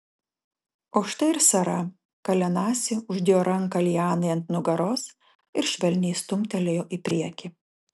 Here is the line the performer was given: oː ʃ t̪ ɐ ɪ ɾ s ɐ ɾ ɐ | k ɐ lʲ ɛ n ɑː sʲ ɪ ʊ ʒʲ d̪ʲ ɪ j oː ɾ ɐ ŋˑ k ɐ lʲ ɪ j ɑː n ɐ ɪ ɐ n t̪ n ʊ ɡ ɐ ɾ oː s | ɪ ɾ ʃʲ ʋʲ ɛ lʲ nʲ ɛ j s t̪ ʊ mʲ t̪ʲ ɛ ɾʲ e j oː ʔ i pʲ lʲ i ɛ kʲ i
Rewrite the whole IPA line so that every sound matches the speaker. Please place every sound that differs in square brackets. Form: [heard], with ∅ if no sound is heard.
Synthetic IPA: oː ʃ t̪ ɐ ɪ ɾ s ɐ ɾ ɐ | k ɐ lʲ ɛ n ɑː sʲ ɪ ʊ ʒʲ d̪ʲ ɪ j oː ɾ ɐ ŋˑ k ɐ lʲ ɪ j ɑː n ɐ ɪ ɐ n t̪ n ʊ ɡ ɐ ɾ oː s | ɪ ɾ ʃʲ ʋʲ ɛ lʲ nʲ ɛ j s t̪ ʊ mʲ t̪ʲ ɛ [lʲ] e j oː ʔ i pʲ [ɾʲ] i ɛ kʲ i